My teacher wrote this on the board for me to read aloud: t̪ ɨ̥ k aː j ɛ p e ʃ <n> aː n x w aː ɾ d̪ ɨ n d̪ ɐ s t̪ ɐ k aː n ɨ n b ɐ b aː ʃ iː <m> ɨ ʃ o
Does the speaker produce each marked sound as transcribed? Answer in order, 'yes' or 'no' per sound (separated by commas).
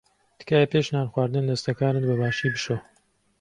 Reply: yes, no